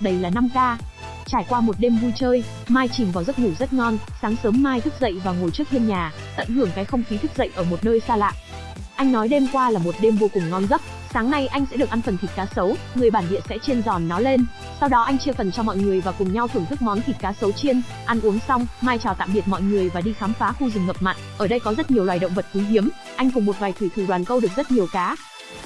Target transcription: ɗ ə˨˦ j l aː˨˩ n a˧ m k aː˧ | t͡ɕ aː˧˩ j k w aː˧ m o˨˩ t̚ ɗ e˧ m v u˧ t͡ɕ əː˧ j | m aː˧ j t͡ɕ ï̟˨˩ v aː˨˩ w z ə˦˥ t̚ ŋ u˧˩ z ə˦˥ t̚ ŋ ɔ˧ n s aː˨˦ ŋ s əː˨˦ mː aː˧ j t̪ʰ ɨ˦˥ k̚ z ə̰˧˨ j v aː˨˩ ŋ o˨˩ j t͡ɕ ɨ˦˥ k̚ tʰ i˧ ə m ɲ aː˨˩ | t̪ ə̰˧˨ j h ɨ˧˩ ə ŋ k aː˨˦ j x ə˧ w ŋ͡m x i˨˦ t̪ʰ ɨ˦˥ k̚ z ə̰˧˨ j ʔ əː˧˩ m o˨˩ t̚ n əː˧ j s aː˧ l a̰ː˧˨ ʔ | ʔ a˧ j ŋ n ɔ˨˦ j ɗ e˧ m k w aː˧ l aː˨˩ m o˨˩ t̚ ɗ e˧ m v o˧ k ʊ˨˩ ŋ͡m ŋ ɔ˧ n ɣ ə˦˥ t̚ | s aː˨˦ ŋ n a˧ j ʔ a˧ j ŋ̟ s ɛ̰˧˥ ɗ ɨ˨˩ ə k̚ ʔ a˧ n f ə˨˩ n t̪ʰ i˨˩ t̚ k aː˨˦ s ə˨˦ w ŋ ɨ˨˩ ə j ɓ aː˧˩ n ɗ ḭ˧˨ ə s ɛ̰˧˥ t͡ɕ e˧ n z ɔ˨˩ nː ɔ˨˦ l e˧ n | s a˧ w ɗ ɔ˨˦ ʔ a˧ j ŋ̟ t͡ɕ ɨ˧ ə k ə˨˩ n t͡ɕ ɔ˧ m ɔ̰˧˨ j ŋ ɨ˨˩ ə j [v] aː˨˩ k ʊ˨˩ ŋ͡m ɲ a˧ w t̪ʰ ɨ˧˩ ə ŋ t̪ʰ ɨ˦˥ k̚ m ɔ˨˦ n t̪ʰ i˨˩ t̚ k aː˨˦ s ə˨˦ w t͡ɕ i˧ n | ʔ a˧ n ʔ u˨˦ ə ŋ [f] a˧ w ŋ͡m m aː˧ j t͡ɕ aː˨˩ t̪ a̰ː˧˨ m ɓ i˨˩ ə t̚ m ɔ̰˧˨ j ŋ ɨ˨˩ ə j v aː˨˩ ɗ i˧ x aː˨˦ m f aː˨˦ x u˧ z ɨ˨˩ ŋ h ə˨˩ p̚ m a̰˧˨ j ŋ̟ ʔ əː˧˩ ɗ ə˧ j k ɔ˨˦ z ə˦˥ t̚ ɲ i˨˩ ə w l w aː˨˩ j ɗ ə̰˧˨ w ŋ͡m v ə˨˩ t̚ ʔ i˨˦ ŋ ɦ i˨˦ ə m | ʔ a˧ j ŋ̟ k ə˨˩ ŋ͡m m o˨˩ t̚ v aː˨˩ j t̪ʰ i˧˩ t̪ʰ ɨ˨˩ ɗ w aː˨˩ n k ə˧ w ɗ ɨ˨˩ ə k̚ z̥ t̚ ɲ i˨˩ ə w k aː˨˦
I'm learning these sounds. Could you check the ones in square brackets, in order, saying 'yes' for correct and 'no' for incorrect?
yes, no

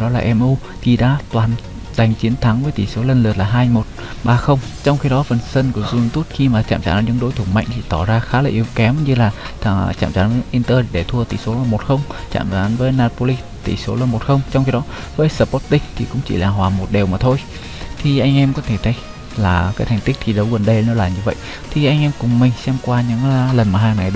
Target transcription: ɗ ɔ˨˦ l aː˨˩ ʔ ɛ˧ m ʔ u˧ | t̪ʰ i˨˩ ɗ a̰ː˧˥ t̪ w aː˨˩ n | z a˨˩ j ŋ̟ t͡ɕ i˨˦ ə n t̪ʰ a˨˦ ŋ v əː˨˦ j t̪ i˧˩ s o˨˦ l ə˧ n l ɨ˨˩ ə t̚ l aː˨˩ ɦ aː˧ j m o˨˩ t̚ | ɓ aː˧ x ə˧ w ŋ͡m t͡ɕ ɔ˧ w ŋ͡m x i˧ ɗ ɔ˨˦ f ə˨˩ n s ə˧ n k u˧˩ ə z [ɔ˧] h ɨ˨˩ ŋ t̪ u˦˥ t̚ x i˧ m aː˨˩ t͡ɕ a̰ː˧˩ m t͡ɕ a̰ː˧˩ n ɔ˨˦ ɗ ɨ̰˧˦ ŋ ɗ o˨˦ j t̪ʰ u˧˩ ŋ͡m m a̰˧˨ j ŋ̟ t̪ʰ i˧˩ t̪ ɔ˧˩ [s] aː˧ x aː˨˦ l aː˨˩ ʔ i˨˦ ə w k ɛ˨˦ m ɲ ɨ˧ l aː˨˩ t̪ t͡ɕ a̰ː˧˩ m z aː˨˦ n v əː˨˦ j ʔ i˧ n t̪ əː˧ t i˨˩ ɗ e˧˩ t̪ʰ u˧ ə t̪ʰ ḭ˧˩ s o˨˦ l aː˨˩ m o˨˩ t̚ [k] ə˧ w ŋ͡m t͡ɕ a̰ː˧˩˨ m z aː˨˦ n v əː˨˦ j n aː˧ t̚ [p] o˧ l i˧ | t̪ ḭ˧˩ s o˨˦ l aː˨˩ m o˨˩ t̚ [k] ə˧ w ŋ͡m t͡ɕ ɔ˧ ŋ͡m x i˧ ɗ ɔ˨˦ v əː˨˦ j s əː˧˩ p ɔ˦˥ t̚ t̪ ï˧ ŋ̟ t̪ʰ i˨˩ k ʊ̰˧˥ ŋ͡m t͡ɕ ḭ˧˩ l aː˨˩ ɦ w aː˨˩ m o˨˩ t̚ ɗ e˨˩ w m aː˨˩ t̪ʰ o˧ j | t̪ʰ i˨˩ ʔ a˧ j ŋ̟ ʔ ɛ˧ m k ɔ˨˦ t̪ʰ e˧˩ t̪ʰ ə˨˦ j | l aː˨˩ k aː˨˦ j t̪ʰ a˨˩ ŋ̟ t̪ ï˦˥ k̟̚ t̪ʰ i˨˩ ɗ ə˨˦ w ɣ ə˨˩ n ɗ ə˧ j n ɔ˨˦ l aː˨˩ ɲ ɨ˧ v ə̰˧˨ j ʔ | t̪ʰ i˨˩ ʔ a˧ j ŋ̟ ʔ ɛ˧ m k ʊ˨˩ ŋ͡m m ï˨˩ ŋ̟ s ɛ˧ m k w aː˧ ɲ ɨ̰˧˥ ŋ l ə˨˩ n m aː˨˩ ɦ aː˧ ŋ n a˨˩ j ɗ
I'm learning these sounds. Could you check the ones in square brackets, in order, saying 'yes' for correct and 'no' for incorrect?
no, no, no, yes, no

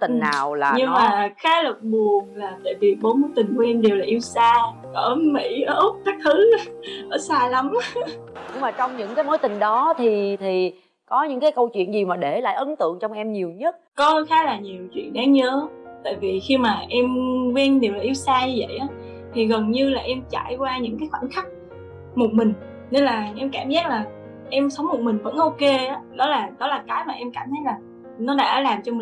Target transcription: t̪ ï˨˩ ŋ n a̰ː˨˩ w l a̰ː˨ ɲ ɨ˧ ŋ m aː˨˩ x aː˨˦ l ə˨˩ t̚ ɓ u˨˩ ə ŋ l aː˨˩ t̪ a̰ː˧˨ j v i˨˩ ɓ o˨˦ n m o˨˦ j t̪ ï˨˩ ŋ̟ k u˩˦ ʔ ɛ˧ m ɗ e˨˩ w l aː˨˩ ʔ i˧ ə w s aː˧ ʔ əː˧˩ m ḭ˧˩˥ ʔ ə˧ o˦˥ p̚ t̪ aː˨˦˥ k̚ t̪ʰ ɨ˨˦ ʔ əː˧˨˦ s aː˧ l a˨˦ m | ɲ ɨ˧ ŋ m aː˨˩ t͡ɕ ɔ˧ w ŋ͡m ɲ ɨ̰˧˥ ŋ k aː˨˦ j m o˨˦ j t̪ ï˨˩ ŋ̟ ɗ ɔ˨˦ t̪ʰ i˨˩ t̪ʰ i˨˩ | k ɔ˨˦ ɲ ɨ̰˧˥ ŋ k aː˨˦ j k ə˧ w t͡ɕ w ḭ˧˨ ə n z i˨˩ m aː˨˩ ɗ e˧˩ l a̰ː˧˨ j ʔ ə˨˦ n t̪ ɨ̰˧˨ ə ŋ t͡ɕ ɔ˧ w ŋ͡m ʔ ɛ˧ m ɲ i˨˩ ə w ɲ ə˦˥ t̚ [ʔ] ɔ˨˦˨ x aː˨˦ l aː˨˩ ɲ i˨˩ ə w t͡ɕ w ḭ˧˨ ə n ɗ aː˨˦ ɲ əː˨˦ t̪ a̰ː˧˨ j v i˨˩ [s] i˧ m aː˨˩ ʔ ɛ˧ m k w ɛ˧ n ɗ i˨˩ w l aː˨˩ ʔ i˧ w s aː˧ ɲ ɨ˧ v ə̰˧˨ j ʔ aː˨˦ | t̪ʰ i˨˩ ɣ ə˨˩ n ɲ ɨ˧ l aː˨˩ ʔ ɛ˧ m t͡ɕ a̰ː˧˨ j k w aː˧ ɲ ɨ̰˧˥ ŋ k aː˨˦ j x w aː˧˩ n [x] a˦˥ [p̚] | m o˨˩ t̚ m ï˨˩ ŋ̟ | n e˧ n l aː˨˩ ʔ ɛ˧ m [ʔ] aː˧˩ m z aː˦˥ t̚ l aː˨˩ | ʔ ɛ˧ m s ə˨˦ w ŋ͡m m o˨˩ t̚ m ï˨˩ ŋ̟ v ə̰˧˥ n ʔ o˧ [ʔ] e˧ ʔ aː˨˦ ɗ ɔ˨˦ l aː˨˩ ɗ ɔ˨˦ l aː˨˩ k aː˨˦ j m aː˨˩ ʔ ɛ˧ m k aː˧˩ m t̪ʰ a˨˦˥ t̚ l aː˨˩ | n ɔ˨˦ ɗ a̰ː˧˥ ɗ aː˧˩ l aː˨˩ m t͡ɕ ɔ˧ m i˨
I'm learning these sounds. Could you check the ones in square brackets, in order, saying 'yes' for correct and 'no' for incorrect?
no, no, yes, no, no, no

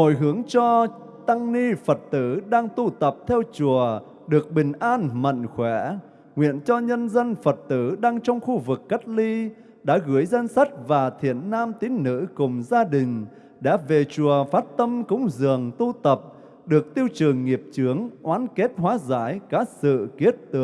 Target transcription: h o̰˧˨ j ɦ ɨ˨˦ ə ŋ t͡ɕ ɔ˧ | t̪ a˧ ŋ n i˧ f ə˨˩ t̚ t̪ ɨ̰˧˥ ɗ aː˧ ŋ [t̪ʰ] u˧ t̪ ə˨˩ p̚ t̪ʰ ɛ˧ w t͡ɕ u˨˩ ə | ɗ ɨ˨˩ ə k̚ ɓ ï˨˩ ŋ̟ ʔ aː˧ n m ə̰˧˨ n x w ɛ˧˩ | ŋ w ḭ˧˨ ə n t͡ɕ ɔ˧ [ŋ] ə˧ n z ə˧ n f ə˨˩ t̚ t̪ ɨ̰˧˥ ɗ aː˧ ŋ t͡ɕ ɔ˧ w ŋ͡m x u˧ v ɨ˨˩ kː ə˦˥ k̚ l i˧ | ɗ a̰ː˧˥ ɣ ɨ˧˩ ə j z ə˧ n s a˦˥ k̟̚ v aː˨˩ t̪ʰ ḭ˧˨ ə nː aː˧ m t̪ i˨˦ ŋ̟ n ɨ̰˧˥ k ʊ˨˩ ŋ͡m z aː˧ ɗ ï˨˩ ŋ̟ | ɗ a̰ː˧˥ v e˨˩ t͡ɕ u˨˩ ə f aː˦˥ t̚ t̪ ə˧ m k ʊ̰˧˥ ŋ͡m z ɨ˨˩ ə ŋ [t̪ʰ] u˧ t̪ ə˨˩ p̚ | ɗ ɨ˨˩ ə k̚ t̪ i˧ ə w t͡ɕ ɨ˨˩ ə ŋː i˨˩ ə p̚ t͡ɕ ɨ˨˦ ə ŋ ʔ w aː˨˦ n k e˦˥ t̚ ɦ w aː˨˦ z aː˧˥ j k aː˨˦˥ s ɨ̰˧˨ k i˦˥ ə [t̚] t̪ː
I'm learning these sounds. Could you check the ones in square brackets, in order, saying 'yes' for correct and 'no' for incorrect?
no, no, no, yes

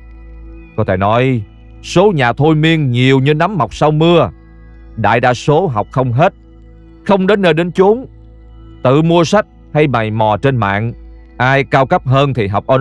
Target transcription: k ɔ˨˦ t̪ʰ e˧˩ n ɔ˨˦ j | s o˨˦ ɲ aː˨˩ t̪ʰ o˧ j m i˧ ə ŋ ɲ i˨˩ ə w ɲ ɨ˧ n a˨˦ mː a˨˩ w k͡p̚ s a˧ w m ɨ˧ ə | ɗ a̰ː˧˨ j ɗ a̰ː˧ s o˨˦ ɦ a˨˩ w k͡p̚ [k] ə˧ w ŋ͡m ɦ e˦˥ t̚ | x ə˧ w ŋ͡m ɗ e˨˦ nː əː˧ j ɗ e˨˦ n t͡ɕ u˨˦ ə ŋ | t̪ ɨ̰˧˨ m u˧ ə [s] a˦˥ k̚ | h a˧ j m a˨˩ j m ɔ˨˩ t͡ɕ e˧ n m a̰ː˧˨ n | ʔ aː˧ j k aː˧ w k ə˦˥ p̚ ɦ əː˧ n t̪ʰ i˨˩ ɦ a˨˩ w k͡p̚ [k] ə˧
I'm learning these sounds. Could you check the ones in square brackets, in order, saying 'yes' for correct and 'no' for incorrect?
no, yes, no

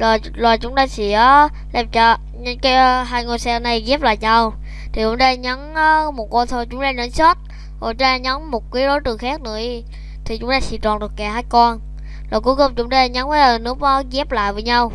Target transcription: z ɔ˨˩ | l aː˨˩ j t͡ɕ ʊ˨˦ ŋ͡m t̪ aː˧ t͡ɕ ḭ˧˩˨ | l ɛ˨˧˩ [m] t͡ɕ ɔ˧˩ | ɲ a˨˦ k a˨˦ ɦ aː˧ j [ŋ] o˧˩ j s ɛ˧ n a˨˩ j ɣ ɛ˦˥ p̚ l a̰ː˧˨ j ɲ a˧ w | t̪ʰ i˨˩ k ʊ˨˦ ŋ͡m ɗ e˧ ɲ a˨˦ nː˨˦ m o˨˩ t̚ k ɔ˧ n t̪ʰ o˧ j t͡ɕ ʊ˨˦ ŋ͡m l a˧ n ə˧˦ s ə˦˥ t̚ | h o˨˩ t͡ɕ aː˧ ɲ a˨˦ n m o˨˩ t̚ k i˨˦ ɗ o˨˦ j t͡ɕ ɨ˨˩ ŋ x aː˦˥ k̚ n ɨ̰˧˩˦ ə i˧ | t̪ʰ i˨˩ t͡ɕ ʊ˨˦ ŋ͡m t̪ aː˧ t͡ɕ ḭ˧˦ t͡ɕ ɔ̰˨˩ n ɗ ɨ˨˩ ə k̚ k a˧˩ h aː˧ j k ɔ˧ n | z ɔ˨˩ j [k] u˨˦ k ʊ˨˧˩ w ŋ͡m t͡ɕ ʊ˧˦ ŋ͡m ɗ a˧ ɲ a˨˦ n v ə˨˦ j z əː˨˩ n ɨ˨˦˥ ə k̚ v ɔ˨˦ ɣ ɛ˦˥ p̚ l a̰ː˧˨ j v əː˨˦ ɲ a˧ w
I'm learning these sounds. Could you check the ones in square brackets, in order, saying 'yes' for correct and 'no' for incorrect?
yes, yes, yes

